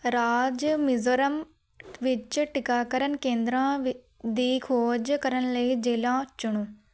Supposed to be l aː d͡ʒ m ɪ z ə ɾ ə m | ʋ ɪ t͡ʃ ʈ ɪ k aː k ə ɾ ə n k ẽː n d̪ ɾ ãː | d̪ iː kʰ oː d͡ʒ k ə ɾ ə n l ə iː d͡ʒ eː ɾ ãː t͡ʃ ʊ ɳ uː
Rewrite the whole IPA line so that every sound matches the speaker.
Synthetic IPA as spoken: ɾ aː d͡ʒ m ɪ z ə ɾ ə m | ʋ ɪ t͡ʃ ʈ ɪ k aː k ə ɾ ə n k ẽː n d̪ ɾ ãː | d̪ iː kʰ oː d͡ʒ k ə ɾ ə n l ə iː d͡ʒ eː l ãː t͡ʃ ʊ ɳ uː